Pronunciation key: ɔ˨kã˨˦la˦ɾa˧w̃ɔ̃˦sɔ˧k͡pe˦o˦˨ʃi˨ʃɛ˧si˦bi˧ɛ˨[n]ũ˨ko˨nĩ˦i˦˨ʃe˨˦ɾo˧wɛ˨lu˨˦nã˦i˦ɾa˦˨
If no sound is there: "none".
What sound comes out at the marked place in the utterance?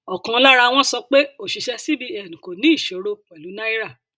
n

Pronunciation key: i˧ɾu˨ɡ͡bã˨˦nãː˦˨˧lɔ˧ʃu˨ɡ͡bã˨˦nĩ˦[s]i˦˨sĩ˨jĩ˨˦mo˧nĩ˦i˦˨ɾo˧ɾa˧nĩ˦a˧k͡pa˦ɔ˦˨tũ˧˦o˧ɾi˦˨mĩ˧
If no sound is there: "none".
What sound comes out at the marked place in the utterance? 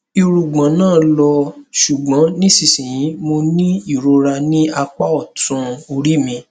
s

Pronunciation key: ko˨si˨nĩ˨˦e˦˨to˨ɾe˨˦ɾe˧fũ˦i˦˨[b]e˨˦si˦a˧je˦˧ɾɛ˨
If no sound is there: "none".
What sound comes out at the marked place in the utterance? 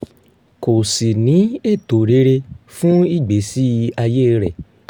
ɡ͡b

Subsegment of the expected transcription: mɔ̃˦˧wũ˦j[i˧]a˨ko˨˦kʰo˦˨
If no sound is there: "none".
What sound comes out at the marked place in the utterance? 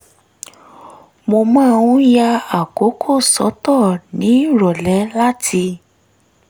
a˧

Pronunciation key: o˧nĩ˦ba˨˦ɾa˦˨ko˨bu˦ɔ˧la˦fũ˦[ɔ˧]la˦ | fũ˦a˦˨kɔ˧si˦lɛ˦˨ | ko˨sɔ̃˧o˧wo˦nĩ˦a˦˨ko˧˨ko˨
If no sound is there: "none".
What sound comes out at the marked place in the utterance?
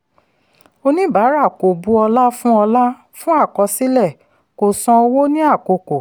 ɔ˧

